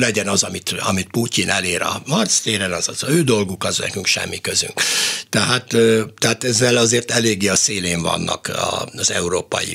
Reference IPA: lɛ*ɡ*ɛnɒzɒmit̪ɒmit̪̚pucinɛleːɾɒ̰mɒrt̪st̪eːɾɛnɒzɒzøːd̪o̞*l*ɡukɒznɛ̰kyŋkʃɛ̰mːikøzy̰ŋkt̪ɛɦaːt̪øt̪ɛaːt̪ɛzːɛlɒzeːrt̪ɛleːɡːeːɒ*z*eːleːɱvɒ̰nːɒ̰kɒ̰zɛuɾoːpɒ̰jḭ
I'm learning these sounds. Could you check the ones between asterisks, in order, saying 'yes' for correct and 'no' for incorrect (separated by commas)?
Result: no, yes, no